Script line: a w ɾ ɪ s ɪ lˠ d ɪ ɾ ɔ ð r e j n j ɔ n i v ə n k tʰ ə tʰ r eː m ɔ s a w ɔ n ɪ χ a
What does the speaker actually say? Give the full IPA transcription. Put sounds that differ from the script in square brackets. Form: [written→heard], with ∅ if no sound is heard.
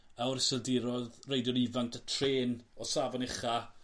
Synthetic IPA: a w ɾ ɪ s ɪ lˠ d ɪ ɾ ɔ ð r e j [n→d] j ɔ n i v [ə→a] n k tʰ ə tʰ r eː [m→n] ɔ s a [w→v] ɔ n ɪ χ a